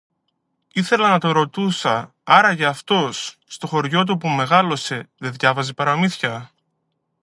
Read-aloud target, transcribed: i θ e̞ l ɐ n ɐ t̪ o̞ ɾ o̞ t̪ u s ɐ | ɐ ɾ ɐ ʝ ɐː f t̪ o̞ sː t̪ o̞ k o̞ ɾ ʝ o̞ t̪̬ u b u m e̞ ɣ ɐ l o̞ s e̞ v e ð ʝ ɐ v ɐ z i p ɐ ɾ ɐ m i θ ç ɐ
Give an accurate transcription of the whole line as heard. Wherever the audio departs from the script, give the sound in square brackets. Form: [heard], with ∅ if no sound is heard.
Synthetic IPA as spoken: i θ e̞ l ɐ n ɐ t̪ o̞ ɾ o̞ t̪ u s ɐ | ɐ ɾ ɐ ʝ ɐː f t̪ o̞ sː t̪ o̞ [x] o̞ ɾ ʝ o̞ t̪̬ u [p] u m e̞ ɣ ɐ l o̞ s e̞ [ð] e ð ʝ ɐ v ɐ z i p ɐ ɾ ɐ m i θ ç ɐ